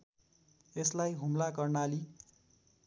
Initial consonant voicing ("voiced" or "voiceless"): voiceless